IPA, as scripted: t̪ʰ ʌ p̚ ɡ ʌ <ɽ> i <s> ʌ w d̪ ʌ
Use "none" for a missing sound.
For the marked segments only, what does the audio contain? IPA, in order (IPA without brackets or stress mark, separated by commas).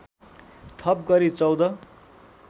ɾ, t͡s